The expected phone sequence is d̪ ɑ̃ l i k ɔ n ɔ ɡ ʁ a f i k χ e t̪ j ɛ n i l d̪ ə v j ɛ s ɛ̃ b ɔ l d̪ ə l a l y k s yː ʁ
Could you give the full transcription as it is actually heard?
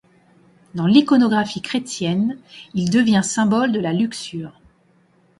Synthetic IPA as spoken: d̪ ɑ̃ l i k ɔ n ɔ ɡ ʁ a f i k χ e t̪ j ɛ n i l d̪ ə v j ɛ̃ s ɛ̃ b ɔ l d̪ ə l a l y k s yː ʁ